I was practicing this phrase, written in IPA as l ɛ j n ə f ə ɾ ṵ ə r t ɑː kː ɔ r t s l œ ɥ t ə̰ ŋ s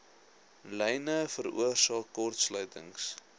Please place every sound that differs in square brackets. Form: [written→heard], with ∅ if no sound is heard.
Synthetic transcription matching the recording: l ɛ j n ə f ə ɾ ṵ ə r [t→s] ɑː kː ɔ r t s l œ ɥ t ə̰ ŋ s